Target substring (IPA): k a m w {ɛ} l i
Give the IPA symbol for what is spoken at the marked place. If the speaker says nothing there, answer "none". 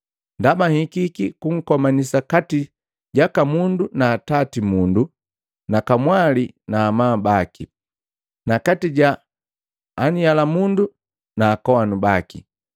a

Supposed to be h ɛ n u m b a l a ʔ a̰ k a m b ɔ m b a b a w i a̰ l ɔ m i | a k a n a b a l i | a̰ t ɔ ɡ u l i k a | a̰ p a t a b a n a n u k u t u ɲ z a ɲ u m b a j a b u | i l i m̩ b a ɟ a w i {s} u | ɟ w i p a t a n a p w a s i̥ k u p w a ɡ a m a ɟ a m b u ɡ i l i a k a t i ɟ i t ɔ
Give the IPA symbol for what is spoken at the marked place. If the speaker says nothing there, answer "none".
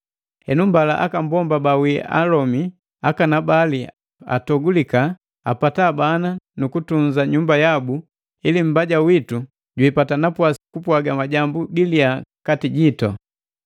t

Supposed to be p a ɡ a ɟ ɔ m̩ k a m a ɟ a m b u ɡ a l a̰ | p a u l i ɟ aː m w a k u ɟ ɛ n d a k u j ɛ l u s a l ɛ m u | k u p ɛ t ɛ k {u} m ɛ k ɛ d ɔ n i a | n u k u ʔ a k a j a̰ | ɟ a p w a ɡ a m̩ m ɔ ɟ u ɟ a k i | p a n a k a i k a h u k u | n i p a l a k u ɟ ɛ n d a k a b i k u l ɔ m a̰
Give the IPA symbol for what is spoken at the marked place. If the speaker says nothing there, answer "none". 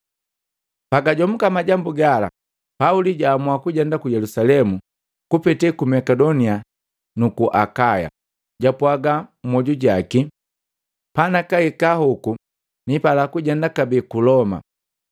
u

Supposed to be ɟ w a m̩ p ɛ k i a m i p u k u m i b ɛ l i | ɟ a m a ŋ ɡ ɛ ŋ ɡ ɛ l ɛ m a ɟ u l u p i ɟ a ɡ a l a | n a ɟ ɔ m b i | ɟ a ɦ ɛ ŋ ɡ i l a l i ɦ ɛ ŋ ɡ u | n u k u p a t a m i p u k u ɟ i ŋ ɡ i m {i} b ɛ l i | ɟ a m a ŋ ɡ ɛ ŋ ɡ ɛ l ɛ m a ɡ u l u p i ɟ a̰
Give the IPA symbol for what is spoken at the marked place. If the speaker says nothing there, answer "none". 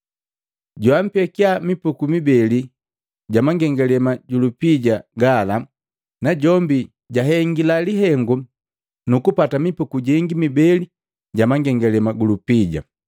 i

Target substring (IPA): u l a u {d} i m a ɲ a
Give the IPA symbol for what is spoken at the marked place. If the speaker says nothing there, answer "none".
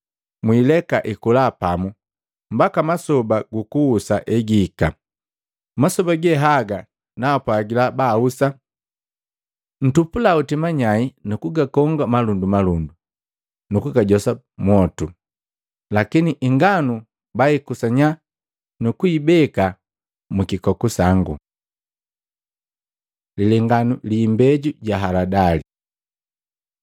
t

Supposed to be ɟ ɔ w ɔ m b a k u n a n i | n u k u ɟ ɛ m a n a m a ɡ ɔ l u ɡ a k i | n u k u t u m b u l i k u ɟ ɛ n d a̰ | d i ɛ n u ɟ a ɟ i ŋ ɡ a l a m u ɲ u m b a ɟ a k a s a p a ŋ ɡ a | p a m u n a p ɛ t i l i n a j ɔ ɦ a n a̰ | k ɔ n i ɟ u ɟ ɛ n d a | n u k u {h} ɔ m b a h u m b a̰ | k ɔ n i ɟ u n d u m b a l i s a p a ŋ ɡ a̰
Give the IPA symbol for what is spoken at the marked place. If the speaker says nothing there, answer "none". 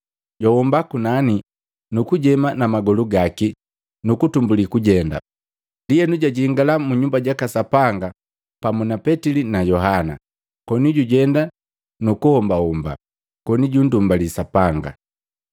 h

